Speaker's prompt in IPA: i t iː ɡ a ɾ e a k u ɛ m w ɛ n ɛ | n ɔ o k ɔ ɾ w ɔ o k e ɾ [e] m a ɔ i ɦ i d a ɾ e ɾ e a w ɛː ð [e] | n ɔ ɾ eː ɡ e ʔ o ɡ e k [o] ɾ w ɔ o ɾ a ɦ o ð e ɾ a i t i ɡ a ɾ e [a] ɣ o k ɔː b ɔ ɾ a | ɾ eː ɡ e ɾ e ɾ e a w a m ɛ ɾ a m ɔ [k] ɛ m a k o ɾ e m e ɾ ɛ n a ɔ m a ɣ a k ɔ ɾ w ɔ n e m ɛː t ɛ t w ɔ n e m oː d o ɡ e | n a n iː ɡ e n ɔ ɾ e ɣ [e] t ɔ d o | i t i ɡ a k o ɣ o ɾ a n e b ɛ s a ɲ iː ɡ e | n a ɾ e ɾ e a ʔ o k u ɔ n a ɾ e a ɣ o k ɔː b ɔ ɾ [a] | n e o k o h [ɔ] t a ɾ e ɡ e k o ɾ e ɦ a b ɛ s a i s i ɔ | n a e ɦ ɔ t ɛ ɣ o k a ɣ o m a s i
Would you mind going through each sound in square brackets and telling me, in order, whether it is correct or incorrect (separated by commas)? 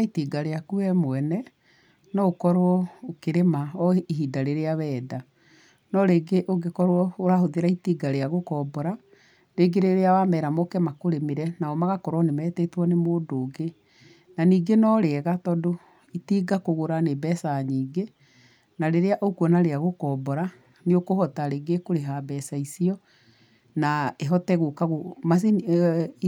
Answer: correct, incorrect, incorrect, correct, correct, incorrect, correct, correct